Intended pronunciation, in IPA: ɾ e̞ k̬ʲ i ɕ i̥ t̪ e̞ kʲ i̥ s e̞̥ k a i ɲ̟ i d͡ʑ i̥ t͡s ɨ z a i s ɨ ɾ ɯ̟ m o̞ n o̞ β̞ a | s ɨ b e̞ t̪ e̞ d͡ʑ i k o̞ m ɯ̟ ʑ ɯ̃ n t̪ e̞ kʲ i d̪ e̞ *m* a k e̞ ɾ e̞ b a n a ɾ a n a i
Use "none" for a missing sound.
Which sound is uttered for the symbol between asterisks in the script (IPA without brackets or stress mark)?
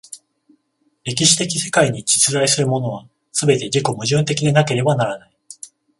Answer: n